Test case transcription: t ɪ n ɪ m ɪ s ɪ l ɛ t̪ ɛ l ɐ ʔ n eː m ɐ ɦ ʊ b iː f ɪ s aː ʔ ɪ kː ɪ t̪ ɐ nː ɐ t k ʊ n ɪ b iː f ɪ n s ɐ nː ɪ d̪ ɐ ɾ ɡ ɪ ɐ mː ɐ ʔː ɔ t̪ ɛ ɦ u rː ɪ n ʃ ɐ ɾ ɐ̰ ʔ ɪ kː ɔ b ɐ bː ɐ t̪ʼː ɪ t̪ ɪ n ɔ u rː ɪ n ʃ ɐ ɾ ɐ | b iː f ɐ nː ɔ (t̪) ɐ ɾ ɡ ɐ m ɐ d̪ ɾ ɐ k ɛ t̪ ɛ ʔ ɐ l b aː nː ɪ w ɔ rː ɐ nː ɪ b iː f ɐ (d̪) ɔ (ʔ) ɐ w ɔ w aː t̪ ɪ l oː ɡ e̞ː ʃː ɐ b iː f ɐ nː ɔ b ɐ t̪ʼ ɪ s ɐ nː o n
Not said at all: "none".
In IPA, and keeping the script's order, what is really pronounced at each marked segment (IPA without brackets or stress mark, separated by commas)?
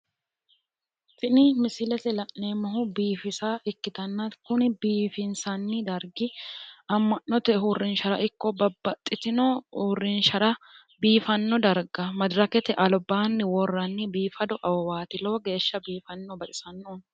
d̪, d̪, ʔ